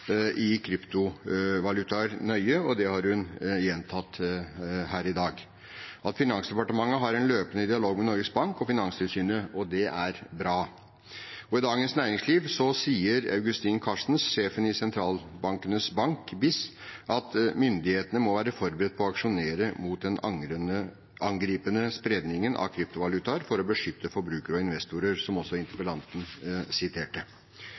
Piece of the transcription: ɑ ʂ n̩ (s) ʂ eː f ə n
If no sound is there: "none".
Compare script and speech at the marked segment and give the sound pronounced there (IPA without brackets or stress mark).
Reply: s